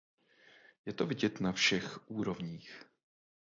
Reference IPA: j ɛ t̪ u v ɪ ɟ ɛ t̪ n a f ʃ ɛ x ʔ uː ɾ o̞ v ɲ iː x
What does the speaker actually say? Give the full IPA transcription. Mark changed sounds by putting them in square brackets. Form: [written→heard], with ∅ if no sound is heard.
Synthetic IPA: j ɛ t̪ [u→o] v ɪ ɟ ɛ t̪ n a f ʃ ɛ x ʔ uː ɾ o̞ v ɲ iː x